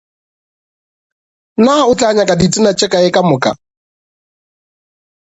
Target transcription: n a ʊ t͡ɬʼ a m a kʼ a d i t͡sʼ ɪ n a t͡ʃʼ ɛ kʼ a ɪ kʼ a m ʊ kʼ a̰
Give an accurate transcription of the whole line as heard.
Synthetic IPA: n a ʊ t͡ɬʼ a ɲ a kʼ a d i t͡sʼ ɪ n a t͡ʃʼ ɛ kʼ a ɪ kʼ a m ʊ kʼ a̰